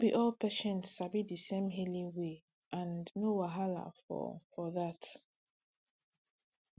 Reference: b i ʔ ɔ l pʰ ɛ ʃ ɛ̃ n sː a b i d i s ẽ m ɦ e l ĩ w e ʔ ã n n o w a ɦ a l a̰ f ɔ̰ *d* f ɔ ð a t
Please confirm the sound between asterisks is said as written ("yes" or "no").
no